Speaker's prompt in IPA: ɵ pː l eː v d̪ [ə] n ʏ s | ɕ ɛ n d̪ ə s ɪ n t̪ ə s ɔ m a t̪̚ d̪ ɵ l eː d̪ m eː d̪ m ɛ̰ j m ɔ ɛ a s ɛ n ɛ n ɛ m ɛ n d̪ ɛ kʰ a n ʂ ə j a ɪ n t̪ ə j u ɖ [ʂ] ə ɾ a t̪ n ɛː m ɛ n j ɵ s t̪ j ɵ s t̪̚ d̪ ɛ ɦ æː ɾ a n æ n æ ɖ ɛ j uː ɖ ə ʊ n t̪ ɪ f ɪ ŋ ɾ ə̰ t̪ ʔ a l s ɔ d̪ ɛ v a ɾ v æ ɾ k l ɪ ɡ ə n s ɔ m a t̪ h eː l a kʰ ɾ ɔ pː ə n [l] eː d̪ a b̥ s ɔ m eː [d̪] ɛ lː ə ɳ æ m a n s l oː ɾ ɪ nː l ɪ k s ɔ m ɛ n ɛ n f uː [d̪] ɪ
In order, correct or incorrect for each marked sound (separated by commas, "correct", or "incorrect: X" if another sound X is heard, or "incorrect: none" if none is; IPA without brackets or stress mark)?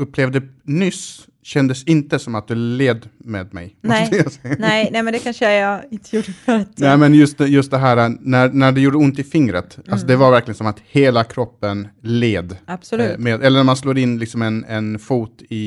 correct, incorrect: f, correct, correct, incorrect: t̪